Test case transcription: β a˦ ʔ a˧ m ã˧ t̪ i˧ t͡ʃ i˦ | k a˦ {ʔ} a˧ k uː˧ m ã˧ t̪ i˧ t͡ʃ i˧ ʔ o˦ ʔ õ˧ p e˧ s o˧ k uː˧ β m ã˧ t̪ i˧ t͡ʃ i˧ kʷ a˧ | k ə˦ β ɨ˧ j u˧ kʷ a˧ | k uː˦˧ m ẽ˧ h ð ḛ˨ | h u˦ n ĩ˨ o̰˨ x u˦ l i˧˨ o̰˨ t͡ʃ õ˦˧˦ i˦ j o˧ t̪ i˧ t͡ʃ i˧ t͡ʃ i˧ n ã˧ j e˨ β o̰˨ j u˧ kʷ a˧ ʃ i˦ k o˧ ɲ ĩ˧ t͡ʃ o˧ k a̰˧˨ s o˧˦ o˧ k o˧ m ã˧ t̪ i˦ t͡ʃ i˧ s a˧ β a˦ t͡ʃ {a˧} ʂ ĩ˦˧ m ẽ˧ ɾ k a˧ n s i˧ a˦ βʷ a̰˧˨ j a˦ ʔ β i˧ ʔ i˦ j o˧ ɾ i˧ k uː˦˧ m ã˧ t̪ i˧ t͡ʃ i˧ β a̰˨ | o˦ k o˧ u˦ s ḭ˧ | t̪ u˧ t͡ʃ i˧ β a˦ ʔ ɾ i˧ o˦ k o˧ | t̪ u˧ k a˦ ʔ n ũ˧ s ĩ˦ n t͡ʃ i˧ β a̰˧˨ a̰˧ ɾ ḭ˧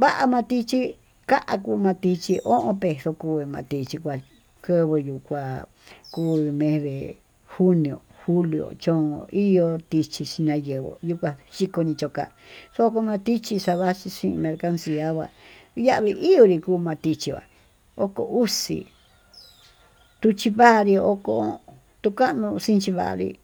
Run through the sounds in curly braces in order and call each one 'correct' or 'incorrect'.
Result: correct, incorrect

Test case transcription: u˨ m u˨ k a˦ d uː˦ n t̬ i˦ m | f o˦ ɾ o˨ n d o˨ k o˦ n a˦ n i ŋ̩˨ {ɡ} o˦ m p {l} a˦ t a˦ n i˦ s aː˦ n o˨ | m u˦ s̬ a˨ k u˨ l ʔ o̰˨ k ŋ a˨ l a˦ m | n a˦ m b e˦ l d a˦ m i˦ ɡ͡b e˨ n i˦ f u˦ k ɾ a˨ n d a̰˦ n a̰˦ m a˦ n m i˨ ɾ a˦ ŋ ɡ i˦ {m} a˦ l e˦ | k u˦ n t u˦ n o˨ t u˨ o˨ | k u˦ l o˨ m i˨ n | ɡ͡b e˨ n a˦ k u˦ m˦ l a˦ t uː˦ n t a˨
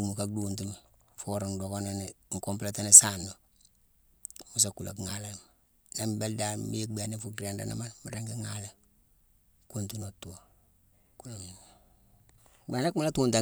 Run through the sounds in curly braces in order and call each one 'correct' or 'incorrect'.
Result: incorrect, correct, incorrect

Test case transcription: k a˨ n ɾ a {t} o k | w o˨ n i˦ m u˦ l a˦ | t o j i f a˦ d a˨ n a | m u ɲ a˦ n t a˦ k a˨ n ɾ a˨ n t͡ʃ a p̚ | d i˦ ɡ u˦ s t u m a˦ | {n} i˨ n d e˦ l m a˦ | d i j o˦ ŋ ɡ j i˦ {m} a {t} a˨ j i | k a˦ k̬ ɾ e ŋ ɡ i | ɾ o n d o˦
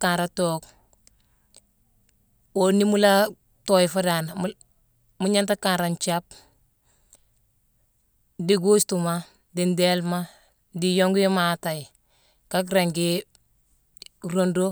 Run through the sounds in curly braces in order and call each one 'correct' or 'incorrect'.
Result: correct, incorrect, correct, correct

